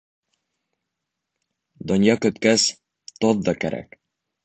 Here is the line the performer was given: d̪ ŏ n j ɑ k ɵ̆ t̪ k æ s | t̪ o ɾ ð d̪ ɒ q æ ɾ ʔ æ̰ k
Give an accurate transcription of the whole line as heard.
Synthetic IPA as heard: d̪ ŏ n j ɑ k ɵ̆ t̪ k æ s | t̪ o ð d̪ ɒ k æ ɾ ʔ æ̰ k